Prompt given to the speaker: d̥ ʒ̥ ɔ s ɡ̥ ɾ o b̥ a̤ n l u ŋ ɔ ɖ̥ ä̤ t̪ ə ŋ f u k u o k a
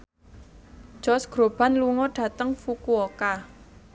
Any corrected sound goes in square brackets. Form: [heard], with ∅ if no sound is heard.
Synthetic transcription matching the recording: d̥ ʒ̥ ɔ s ɡ̥ ɾ o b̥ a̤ n l u ŋ ɔ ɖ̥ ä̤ t̪ ə ŋ f u k u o k a